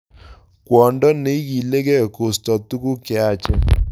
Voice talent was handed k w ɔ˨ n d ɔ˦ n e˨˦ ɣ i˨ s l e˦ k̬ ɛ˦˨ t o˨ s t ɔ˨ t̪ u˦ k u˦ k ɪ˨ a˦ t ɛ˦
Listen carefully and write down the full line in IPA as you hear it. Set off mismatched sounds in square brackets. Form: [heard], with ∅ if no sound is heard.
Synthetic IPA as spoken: k w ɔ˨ n d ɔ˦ n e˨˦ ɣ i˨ [∅] l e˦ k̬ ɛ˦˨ [k] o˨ s t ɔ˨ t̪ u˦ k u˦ k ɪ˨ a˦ [t͡ʃ] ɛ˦